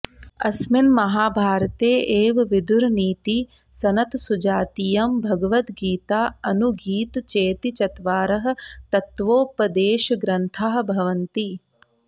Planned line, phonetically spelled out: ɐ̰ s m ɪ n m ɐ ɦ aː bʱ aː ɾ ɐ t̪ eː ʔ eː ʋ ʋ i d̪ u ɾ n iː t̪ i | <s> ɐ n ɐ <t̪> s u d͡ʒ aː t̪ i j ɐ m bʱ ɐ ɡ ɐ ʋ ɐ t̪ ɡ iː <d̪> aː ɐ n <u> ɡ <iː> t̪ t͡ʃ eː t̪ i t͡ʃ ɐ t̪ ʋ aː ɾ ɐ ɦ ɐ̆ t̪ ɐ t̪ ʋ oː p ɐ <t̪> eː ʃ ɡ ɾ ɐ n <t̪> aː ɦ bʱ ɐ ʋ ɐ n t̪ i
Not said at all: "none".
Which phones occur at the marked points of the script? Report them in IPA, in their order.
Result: s, t̪, t̪, u, iː, d̪, t̪ʰ

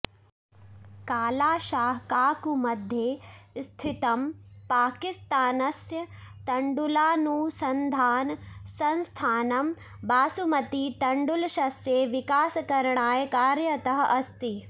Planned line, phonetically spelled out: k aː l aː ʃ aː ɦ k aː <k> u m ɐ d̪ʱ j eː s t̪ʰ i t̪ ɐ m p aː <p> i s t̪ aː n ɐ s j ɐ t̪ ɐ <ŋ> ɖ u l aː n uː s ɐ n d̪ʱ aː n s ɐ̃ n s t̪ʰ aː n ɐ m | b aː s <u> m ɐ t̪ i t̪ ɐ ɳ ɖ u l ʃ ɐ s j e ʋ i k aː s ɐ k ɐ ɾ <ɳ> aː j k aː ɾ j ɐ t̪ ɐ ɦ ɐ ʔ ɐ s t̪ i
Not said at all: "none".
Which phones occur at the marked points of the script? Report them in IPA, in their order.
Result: k, k, ɳ, u, ɳ

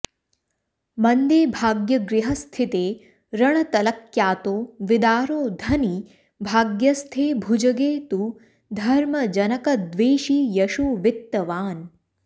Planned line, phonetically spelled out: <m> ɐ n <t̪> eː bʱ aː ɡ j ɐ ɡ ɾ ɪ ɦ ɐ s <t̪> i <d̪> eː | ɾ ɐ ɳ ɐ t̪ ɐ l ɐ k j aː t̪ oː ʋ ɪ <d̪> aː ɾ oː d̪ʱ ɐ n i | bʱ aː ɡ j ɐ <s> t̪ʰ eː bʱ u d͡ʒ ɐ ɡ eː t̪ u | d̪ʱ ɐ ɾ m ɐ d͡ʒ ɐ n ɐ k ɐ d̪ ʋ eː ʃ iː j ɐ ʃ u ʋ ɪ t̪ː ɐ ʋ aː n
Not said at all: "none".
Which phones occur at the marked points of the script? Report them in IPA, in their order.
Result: m, d̪, t̪ʰ, t̪, d̪, s

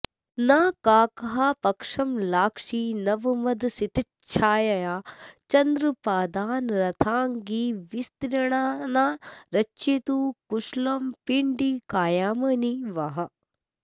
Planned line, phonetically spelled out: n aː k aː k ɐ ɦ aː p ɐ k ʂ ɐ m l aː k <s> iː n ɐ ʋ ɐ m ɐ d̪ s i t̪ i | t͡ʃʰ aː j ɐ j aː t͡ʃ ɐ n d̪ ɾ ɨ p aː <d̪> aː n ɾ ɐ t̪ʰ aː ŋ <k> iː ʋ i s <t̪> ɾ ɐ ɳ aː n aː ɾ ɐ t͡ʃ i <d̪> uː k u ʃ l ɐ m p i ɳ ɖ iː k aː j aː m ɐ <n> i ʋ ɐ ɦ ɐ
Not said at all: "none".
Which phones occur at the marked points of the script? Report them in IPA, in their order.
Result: ʂ, d̪, ɡ, t̪, t̪, n

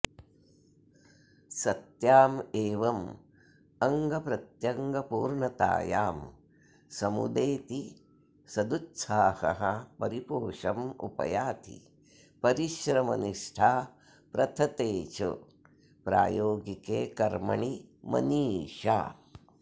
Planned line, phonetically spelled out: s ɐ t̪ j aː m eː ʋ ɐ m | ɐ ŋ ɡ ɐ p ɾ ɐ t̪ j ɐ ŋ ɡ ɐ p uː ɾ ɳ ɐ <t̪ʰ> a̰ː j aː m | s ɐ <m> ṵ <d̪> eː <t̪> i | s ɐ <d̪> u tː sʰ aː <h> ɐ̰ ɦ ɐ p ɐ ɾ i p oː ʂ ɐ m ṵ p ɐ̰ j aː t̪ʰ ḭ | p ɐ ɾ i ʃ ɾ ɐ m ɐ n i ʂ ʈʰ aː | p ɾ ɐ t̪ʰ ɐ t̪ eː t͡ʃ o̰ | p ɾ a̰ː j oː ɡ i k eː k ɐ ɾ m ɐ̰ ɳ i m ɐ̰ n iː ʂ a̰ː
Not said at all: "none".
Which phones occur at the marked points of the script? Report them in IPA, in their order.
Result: t̪, m, d̪, t̪, d̪, h

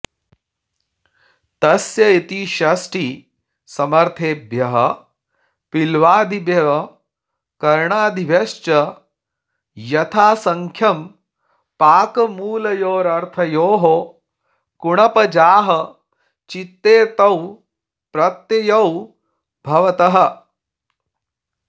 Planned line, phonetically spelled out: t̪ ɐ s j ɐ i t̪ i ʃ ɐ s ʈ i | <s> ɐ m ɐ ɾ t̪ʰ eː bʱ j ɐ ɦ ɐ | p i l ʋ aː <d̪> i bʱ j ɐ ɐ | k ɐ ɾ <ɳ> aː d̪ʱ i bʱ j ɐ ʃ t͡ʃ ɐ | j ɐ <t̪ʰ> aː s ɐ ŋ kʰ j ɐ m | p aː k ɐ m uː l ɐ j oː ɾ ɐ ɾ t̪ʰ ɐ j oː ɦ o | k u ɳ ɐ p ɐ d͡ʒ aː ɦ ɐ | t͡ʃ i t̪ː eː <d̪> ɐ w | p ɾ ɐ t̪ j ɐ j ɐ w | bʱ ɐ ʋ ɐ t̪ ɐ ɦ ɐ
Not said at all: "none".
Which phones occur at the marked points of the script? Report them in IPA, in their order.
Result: s, d̪, ɳ, t̪ʰ, t̪

